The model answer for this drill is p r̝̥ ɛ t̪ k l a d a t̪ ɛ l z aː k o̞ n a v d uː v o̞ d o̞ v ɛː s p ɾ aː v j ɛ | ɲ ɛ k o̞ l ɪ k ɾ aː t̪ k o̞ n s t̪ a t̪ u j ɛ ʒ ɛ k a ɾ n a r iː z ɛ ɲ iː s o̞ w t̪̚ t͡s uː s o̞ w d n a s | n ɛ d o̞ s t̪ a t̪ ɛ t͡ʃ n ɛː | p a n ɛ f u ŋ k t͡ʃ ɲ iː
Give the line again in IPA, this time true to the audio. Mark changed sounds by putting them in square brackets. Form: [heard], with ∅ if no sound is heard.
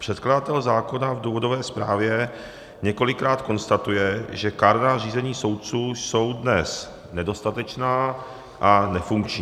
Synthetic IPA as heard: p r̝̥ ɛ t̪ k l a d a t̪ ɛ l z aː k o̞ n a v d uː v o̞ d o̞ v ɛː s p ɾ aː v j ɛ | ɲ ɛ k o̞ l ɪ k ɾ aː t̪ k o̞ n s t̪ a t̪ u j ɛ ʒ ɛ k a ɾ n a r iː z ɛ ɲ iː s o̞ w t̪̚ t͡s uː s o̞ w d n [ɛ] s | n ɛ d o̞ s t̪ a t̪ ɛ t͡ʃ n [aː] | [ʔ] a n ɛ f u ŋ k t͡ʃ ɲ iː